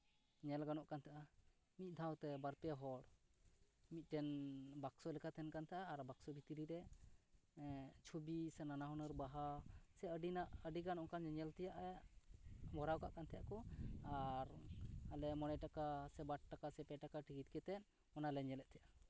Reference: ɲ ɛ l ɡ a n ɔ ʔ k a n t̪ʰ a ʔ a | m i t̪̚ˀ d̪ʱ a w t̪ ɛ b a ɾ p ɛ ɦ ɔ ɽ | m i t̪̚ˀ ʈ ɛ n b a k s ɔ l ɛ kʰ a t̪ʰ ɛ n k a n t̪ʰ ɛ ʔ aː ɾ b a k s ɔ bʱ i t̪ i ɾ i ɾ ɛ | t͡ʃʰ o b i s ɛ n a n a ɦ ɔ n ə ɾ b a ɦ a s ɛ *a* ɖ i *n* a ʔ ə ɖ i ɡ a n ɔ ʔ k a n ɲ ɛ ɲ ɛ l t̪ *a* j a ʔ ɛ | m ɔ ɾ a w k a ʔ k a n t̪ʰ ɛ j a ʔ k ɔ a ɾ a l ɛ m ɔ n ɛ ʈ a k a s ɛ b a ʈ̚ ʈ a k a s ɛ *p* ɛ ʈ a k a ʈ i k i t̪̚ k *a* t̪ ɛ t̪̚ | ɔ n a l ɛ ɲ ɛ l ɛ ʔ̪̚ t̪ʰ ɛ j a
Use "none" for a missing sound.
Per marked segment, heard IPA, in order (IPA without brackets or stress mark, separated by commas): ə, n, ɛ, p, ɛ